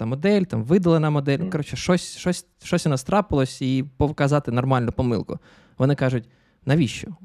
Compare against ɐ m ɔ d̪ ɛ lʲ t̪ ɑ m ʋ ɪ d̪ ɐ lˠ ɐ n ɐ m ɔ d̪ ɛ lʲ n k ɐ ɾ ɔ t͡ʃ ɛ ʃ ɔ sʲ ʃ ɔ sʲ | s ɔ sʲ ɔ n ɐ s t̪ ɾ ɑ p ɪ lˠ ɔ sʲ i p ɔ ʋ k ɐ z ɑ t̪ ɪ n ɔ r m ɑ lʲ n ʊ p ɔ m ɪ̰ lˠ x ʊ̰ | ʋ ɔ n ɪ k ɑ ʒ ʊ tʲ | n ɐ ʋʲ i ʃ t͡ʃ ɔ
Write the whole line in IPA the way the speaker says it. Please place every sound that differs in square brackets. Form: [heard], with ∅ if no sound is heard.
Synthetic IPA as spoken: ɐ m ɔ d̪ ɛ lʲ t̪ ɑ m ʋ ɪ d̪ ɐ lˠ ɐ n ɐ m ɔ d̪ ɛ lʲ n k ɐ ɾ ɔ t͡ʃ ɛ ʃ ɔ sʲ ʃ ɔ sʲ | [ʃ] ɔ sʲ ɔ n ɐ s t̪ ɾ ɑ p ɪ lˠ ɔ sʲ i p ɔ ʋ k ɐ z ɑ t̪ ɪ n ɔ r m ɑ lʲ n ʊ p ɔ m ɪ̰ lˠ [k] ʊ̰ | ʋ ɔ n ɪ k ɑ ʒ ʊ tʲ | n ɐ ʋʲ i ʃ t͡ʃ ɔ